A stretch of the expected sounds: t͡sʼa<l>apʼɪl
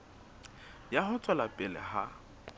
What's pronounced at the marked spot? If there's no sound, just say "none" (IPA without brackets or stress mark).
l